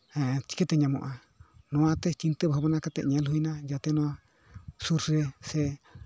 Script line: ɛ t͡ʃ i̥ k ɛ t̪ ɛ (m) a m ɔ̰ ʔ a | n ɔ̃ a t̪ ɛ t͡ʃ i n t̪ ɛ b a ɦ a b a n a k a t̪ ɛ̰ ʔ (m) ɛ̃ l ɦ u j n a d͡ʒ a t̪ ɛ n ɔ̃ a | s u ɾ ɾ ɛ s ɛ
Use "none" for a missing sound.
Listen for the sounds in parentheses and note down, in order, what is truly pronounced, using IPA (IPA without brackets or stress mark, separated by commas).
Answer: ɲ, ɲ